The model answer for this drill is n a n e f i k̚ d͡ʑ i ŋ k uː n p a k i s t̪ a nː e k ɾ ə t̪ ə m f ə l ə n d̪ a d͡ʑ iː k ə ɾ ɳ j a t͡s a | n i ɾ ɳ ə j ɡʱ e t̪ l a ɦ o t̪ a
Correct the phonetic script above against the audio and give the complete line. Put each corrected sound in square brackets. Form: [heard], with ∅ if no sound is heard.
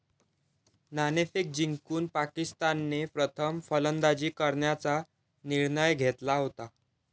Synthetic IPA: n a n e f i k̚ d͡ʑ i ŋ k uː n p a k i s t̪ a nː e [p] ɾ ə [t̪ʰ] ə m f ə l ə n d̪ a d͡ʑ iː k ə ɾ ɳ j a t͡s a | n i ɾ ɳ ə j ɡʱ e t̪ l a ɦ o t̪ a

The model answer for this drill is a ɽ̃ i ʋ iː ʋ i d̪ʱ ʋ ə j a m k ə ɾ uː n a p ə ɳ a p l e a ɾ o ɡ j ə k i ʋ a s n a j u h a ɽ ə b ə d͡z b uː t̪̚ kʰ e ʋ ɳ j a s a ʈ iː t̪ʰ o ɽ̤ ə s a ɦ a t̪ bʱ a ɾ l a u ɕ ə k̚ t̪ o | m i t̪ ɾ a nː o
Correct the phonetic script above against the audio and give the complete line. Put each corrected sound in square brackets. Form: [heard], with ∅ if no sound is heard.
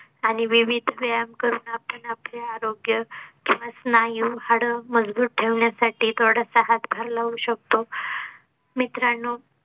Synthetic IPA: a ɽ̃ i ʋ [i] ʋ i d̪ʱ ʋ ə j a m k ə ɾ uː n a p ə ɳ a p l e a ɾ o ɡ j ə k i ʋ a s n a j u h a ɽ ə [m] ə d͡z b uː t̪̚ [ʈʰ] e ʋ ɳ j a s a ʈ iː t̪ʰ o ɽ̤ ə s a ɦ a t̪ bʱ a ɾ l a u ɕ ə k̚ t̪ o | m i t̪ ɾ a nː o

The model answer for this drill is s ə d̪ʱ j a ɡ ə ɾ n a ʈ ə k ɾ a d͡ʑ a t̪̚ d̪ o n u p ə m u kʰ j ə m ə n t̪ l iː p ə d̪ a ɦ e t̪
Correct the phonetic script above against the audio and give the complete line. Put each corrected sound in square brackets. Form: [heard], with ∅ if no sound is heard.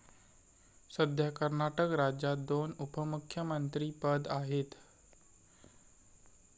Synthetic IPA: s ə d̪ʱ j a [k] ə ɾ n a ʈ ə k ɾ a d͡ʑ a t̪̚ d̪ o n u p ə m u kʰ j ə m ə n t̪ [ɾ] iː p ə d̪ a ɦ e t̪

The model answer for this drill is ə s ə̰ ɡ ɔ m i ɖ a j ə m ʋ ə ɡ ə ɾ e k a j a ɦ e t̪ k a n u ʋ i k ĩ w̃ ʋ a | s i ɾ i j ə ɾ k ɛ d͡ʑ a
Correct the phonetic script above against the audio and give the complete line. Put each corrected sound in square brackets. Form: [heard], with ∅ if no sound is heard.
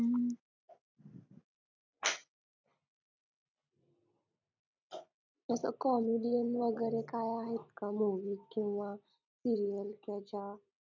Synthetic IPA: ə s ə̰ [k] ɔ m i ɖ [i] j ə [n] ʋ ə ɡ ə ɾ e k a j a ɦ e t̪ k a [m] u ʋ i k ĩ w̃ ʋ a | s i ɾ i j ə [l] k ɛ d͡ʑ a

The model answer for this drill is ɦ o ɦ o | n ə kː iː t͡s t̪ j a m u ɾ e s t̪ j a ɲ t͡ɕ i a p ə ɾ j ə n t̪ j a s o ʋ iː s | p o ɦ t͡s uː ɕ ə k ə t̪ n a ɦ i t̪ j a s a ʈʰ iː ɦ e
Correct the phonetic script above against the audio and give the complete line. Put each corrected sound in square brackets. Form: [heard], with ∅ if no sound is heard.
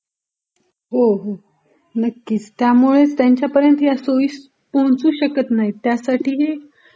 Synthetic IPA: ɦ o ɦ o | n ə kː iː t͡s t̪ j a m u [ɭ] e [t͡s] t̪ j a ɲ t͡ɕ [j] a p ə ɾ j ə n t̪ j a s o ʋ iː s | p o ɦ t͡s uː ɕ ə k ə t̪ n a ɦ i t̪ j a s a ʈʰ iː ɦ e

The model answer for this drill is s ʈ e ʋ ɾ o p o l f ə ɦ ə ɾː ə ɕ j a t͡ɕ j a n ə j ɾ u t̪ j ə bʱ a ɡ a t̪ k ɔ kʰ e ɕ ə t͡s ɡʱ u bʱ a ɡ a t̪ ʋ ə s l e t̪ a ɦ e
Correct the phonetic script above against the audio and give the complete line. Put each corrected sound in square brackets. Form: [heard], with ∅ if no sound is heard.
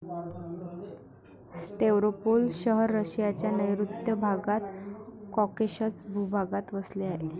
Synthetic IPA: s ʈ e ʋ ɾ o p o l [ɕ] ə ɦ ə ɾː ə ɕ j a t͡ɕ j a n ə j ɾ u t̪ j ə bʱ a ɡ a t̪ k ɔ [k] e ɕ ə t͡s [bʱ] u bʱ a ɡ a t̪ ʋ ə s l e [∅] a ɦ e

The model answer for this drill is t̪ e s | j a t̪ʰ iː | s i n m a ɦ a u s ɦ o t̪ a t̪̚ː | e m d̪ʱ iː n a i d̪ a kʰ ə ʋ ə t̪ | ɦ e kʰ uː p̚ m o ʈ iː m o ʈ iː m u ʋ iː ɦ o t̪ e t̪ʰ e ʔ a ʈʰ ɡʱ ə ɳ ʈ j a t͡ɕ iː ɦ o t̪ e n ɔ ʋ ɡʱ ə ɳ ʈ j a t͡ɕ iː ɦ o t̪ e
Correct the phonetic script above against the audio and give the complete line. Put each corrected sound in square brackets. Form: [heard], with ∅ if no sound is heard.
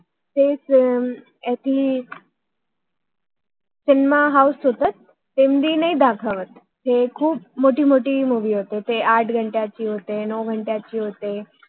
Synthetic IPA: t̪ e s | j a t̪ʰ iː | s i n m a ɦ a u s ɦ o t̪ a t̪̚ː | e m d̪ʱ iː n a i d̪ a kʰ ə ʋ ə t̪ | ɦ e kʰ uː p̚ m o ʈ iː m o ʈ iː m u ʋ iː ɦ o t̪ e [t̪] e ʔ a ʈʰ ɡʱ ə ɳ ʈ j a t͡ɕ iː ɦ o t̪ e n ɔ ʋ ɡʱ ə ɳ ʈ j a t͡ɕ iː ɦ o t̪ e

